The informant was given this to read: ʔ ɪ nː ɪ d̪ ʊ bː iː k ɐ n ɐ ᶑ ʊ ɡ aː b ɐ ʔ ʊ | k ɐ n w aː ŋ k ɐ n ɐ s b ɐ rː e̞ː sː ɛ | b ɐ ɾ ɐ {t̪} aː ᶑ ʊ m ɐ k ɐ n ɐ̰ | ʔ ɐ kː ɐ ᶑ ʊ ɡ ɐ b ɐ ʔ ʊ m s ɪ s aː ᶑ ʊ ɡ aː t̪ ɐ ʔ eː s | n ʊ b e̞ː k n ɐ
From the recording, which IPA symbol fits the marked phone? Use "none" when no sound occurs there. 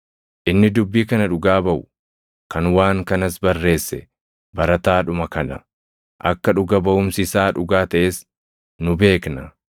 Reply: t̪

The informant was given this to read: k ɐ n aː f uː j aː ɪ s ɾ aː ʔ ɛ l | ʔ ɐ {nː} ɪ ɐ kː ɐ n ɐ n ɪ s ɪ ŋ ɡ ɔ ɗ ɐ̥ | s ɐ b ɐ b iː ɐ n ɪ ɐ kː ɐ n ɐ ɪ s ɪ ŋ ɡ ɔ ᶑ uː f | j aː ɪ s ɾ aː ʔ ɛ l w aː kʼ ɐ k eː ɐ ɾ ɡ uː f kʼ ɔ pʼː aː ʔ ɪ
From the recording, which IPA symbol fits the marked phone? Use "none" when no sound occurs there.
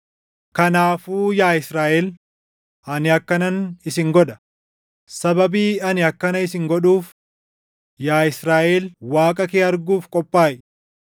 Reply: n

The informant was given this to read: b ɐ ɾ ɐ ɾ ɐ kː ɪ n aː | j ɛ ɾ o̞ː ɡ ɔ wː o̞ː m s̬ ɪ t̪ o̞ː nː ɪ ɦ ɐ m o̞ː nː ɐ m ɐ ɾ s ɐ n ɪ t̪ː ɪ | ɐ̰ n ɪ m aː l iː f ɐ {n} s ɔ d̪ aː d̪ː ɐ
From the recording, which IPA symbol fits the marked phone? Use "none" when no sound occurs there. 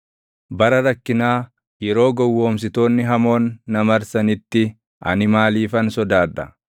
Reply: n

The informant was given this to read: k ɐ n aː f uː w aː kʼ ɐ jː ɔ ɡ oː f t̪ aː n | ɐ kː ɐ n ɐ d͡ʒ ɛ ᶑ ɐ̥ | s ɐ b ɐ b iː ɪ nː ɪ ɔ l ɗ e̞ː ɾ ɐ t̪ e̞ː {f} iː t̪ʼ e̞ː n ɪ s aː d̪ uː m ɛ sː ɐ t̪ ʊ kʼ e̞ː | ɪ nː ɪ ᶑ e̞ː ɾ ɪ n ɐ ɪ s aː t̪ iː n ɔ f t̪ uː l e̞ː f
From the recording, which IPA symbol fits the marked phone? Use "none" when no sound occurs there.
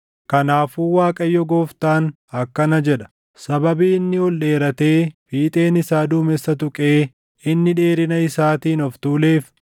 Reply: f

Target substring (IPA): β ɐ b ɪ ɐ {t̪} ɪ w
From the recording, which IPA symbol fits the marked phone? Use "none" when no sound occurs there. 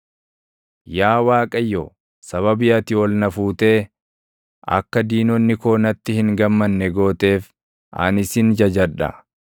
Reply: t̪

